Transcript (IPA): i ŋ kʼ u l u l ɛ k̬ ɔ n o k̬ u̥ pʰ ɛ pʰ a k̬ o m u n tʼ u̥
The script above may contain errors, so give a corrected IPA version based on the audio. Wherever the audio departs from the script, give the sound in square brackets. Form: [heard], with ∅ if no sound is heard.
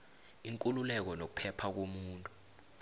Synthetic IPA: i ŋ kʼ u l u l ɛ k̬ ɔ n o k̬ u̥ pʰ ɛ pʰ a k̬ o m [uː] n tʼ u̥